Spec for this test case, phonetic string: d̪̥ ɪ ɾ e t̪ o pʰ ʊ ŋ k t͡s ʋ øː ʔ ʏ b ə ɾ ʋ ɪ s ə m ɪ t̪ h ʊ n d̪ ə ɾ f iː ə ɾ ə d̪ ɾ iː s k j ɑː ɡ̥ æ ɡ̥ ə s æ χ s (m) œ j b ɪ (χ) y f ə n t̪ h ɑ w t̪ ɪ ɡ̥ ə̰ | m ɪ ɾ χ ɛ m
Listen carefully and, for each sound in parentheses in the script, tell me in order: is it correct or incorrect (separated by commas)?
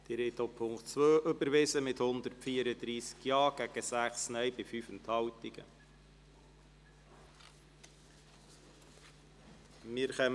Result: incorrect, incorrect